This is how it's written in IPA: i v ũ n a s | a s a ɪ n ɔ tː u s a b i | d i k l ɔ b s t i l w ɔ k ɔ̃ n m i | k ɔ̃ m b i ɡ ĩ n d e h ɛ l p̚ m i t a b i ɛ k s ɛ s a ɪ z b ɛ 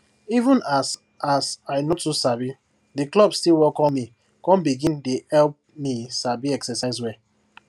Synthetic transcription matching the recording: i v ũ n a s | a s a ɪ n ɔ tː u s a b i | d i k l ɔ b s t i l w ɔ k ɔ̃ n m i | k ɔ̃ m b i ɡ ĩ n d e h ɛ l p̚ m i s a b i ɛ k s ɛ s a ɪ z w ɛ